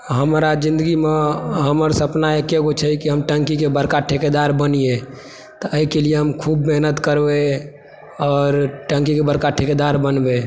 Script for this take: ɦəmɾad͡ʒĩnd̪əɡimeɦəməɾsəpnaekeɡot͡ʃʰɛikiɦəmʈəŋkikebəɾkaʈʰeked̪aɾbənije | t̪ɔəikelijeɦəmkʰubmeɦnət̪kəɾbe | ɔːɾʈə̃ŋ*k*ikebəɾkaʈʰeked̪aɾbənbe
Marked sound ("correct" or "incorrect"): correct